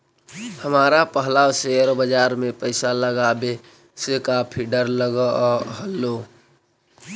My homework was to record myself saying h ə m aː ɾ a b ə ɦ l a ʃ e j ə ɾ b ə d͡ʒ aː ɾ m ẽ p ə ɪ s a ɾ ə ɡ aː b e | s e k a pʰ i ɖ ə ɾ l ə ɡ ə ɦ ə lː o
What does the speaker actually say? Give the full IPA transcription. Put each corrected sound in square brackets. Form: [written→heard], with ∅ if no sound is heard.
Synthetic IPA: h ə m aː ɾ a [b→p] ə ɦ l a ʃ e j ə ɾ b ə d͡ʒ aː ɾ m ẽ p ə ɪ s a [ɾ→l] ə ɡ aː b e | s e k a pʰ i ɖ ə ɾ l ə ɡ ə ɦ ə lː o